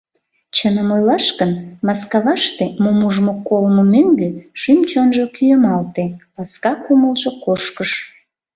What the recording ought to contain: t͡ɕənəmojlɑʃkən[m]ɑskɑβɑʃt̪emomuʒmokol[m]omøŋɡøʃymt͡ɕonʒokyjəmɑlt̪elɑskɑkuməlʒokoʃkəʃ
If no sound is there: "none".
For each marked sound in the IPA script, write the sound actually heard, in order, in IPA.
m, m

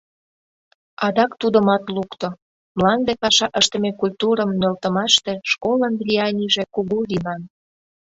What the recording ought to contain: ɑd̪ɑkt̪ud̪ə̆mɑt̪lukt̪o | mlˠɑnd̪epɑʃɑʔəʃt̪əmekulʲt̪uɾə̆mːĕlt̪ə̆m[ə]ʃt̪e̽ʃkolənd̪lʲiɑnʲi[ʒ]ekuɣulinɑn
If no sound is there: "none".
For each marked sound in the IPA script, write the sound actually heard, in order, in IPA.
ɑ, ʒ

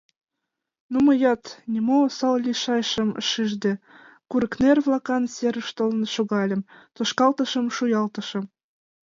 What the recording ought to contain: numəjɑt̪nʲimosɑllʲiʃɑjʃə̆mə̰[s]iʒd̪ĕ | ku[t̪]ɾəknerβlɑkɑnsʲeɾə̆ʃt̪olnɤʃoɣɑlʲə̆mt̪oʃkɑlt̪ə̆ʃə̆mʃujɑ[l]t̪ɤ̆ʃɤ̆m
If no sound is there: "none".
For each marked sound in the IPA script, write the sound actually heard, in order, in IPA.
ʃ, none, l

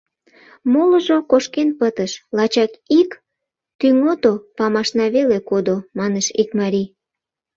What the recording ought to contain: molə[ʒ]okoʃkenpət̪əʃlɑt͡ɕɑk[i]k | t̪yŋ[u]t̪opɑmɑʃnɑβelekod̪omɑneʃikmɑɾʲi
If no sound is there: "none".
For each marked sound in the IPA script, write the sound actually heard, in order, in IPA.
ʒ, i, o

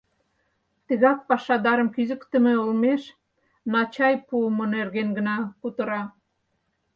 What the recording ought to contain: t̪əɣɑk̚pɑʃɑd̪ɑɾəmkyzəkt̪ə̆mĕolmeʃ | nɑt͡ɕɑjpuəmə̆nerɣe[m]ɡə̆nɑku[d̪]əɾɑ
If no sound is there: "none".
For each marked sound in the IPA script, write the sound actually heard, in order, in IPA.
n, t̪

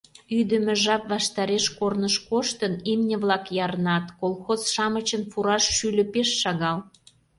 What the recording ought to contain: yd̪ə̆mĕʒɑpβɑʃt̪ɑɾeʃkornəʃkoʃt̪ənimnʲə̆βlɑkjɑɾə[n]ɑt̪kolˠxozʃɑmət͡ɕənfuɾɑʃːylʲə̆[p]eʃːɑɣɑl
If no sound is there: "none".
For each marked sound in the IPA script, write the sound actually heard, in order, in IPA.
n, p

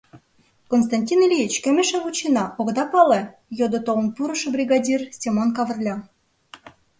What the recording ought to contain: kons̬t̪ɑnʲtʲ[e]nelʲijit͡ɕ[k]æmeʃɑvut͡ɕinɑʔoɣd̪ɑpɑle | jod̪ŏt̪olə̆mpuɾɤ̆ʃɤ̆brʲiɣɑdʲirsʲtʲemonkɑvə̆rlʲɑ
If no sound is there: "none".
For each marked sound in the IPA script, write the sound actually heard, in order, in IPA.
i, k

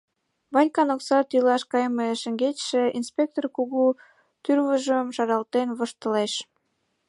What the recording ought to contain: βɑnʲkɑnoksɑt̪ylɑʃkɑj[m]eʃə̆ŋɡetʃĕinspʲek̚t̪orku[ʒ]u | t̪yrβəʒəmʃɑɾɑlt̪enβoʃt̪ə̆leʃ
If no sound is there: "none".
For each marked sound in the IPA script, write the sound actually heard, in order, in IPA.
m, ɣ

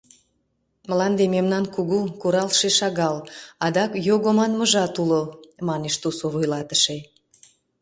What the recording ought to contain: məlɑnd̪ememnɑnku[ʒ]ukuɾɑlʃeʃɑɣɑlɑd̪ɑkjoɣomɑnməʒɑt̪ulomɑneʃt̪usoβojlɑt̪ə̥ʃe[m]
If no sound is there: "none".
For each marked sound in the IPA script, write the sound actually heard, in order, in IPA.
ɣ, none

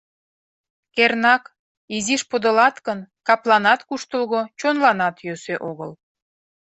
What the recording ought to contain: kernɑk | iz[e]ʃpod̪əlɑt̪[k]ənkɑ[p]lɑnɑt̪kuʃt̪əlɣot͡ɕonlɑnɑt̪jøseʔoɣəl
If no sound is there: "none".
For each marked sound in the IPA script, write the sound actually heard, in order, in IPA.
i, k, p

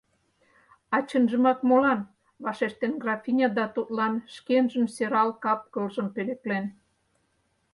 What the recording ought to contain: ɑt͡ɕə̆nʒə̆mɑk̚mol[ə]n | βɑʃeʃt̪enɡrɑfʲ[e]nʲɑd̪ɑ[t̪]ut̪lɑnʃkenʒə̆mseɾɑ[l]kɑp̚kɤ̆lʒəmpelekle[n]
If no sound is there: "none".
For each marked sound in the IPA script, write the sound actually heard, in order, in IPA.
ɑ, i, t̪, l, n

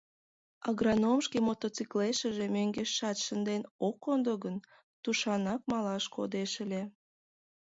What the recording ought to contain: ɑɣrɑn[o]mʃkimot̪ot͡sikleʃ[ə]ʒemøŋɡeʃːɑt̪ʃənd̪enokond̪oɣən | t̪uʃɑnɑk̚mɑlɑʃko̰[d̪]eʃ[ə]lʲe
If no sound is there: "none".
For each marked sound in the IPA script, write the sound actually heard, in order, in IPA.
o, ə, d̪, ə

